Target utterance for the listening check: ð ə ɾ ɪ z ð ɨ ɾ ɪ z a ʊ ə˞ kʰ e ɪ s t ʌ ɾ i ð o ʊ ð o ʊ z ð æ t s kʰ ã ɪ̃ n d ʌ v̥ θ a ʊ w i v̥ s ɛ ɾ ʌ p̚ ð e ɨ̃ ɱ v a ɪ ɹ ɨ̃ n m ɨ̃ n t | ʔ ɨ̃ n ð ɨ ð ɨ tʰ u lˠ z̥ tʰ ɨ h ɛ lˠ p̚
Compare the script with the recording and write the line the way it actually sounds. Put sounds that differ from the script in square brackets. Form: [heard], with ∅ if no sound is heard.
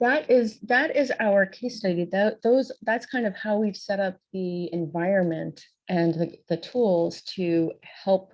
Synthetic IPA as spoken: ð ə ɾ ɪ z ð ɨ ɾ ɪ z a ʊ ə˞ kʰ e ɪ s t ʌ ɾ i ð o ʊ ð o ʊ z ð æ t s kʰ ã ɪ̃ n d ʌ v̥ [h] a ʊ w i v̥ s ɛ ɾ ʌ p̚ ð [i] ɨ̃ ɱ v a ɪ ɹ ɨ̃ n m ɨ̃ n t | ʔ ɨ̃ n ð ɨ ð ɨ tʰ u lˠ z̥ tʰ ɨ h ɛ lˠ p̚

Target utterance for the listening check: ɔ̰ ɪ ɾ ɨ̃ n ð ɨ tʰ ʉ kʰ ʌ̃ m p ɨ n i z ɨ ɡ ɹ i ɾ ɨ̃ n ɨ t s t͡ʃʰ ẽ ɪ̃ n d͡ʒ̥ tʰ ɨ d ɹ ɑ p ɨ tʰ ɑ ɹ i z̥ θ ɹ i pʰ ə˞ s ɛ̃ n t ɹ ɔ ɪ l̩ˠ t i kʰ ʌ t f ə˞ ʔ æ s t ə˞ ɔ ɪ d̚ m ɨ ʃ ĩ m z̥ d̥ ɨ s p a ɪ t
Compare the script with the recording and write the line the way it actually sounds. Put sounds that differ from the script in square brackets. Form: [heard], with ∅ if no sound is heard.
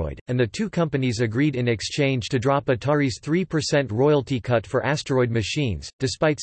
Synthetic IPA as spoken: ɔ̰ ɪ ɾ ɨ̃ n ð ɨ tʰ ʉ kʰ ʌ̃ m p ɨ n i z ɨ ɡ ɹ i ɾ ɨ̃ n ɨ [k] s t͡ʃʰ ẽ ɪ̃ n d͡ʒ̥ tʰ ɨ d ɹ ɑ p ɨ tʰ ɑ ɹ i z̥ θ ɹ i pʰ ə˞ s ɛ̃ n t ɹ ɔ ɪ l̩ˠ t i kʰ ʌ t f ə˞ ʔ æ s t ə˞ ɔ ɪ d̚ m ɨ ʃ ĩ [n] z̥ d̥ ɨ s p a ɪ t

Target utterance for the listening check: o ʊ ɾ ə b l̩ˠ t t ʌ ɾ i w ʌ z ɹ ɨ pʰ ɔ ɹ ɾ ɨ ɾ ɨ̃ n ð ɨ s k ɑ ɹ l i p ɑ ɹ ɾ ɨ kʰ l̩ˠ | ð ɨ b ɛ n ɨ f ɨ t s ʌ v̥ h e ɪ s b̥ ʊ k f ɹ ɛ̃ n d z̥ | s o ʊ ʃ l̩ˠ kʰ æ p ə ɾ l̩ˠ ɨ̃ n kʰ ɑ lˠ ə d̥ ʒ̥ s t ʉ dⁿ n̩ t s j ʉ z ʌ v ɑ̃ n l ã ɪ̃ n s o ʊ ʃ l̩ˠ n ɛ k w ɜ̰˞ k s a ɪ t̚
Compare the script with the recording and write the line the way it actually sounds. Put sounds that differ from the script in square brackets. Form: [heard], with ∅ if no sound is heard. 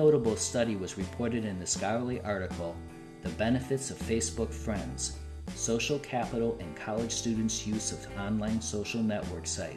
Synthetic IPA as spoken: o ʊ ɾ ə b l̩ˠ [s] t ʌ ɾ i w ʌ z ɹ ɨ pʰ ɔ ɹ ɾ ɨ ɾ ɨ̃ n ð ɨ s k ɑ ɹ l i [ʔ] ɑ ɹ ɾ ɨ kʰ l̩ˠ | ð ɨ b ɛ n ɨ f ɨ t s ʌ v̥ [f] e ɪ s b̥ ʊ k f ɹ ɛ̃ n d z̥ | s o ʊ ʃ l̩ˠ kʰ æ p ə ɾ l̩ˠ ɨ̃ n kʰ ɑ lˠ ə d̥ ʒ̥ s t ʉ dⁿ n̩ t s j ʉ z ʌ v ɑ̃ n l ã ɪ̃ n s o ʊ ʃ l̩ˠ n ɛ [ʔ] w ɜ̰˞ k s a ɪ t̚

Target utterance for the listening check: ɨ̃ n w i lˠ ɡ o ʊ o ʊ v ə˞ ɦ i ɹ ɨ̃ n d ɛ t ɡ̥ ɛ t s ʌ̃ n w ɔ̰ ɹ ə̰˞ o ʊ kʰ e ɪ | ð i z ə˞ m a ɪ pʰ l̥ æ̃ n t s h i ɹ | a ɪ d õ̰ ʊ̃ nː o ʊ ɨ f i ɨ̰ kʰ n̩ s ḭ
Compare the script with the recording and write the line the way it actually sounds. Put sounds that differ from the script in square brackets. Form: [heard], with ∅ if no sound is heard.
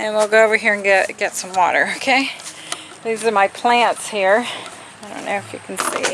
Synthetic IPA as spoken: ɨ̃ n w i lˠ ɡ o ʊ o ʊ v ə˞ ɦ i ɹ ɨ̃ n [ɡ] ɛ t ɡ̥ ɛ t s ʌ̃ [m] w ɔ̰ [ɾ] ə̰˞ o ʊ kʰ e ɪ | ð i z ə˞ m a ɪ pʰ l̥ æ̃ n t s h i ɹ | a ɪ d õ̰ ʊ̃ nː o ʊ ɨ f [j] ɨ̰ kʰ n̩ s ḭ

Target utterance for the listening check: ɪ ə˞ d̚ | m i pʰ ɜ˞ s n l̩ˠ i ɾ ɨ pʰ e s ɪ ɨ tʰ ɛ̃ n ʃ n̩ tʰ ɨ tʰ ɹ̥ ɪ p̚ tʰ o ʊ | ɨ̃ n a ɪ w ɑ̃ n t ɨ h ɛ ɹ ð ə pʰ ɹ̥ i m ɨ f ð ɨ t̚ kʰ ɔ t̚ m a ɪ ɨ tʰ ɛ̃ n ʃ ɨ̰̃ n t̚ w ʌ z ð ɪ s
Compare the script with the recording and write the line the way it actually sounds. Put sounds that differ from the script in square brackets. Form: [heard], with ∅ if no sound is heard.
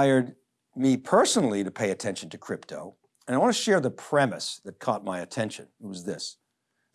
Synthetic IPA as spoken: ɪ ə˞ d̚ | m i pʰ ɜ˞ s n l̩ˠ i ɾ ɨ pʰ e [∅] ɪ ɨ tʰ ɛ̃ n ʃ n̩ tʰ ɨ [kʰ] ɹ̥ ɪ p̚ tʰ o ʊ | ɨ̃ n a ɪ w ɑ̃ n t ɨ [ʃ] ɛ ɹ ð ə pʰ ɹ̥ [ɛ] m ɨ [s] ð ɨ t̚ kʰ ɔ t̚ m a ɪ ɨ tʰ ɛ̃ n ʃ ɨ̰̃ n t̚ w ʌ z ð ɪ s

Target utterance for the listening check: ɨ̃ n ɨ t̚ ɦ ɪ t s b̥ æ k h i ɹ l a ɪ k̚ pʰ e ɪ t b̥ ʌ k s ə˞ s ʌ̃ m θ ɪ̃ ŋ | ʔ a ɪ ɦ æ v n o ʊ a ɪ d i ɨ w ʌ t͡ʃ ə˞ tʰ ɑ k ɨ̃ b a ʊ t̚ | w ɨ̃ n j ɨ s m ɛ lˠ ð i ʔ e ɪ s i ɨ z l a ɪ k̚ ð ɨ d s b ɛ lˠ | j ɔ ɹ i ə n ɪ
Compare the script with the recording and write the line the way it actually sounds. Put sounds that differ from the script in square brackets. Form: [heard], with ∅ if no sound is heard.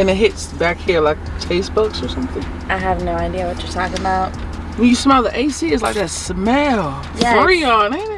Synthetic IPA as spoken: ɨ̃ n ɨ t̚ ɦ ɪ t s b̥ æ k h i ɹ l a ɪ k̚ [tʰ] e ɪ [s] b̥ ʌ k s ə˞ s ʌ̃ m θ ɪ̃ ŋ | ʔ a ɪ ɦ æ v n o ʊ a ɪ d i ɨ w ʌ t͡ʃ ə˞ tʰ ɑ k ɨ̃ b a ʊ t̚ | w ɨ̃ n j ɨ s m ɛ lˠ ð i ʔ e ɪ s i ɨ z l a ɪ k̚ ð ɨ [t] s [m] ɛ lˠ | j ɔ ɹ i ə n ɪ

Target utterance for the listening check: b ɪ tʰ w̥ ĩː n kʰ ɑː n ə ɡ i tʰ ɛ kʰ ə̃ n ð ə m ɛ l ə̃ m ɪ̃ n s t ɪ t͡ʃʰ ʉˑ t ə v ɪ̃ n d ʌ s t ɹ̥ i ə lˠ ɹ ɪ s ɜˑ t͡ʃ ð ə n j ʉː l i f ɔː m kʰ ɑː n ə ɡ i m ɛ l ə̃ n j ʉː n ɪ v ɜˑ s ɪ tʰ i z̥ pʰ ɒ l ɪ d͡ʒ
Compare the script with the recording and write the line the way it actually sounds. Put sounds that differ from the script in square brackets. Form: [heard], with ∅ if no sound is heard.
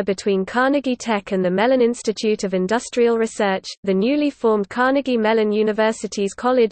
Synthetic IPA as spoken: b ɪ tʰ w̥ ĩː n kʰ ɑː n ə ɡ i tʰ ɛ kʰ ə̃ n ð ə m ɛ l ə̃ [n] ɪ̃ n s t ɪ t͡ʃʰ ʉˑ t ə v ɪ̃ n d ʌ s t ɹ̥ i ə lˠ ɹ ɪ s ɜˑ t͡ʃ ð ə n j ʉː l i f ɔː m kʰ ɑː n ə ɡ i m ɛ l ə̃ n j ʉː n ɪ v ɜˑ s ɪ tʰ i z̥ [kʰ] ɒ l ɪ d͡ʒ

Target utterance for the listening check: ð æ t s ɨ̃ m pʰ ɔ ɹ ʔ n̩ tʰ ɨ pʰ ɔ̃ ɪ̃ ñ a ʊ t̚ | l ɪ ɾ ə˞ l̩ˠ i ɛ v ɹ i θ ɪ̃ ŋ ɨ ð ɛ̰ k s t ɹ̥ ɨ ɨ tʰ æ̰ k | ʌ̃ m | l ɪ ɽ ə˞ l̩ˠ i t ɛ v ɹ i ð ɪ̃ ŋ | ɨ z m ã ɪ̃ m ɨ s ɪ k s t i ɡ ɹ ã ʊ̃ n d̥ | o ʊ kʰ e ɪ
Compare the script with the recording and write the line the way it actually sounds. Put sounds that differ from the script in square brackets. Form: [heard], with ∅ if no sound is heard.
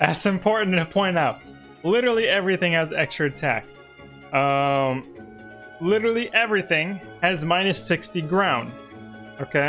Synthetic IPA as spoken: ð æ t s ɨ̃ m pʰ ɔ ɹ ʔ n̩ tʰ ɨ pʰ ɔ̃ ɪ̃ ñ a ʊ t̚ | l ɪ ɾ ə˞ l̩ˠ i ɛ v ɹ i θ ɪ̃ ŋ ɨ [z] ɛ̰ k s t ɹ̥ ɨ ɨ tʰ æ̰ k | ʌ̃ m | l ɪ [ɾ] ə˞ l̩ˠ i [ʔ] ɛ v ɹ i [θ] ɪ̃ ŋ | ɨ z m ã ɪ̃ [n] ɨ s ɪ k s t i ɡ ɹ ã ʊ̃ n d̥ | o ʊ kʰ e ɪ

